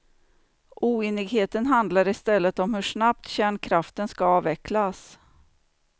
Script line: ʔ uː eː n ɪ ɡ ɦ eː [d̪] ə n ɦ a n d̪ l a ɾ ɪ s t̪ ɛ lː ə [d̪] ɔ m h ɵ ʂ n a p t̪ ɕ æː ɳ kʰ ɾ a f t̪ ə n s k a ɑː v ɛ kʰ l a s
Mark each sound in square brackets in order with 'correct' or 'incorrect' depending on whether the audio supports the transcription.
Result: incorrect, incorrect

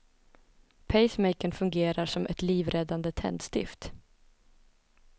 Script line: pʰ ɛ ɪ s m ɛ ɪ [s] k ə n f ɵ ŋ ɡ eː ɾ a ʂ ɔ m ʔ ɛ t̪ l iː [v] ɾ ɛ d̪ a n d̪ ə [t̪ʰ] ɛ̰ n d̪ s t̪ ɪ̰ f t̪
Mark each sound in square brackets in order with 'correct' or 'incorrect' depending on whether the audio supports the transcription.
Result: incorrect, correct, correct

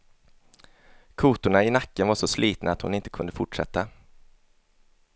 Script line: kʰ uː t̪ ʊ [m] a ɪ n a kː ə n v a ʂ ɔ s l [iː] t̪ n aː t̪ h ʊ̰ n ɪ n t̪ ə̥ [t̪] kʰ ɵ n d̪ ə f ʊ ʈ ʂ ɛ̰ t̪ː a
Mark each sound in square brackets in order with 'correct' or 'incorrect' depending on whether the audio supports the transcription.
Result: incorrect, correct, incorrect

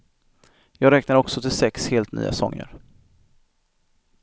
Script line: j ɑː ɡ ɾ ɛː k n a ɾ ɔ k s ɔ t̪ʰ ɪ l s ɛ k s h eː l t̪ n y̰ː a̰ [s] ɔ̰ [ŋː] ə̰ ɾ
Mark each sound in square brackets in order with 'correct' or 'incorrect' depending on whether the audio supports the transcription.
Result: correct, correct

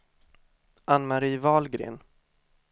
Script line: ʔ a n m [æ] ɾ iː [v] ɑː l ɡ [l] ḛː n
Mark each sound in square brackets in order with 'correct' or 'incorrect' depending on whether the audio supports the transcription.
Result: incorrect, correct, incorrect

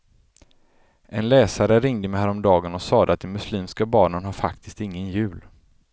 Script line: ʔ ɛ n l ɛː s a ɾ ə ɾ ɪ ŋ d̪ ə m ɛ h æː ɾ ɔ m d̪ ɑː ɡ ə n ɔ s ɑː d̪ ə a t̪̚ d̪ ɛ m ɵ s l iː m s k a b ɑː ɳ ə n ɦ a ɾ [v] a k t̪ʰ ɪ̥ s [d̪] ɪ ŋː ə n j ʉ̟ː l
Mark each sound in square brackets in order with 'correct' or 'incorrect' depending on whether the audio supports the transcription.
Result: incorrect, incorrect

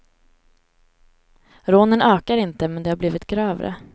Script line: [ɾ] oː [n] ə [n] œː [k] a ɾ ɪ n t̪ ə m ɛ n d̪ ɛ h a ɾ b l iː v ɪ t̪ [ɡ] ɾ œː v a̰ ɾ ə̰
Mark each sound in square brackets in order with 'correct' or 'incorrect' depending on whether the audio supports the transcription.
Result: correct, correct, correct, correct, correct

